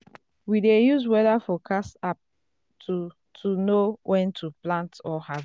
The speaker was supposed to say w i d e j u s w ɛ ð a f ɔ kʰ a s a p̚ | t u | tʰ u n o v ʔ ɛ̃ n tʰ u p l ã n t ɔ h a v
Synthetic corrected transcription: w i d e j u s w ɛ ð a f ɔ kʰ a s a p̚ | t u | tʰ u n o w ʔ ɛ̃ n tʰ u p l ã n t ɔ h a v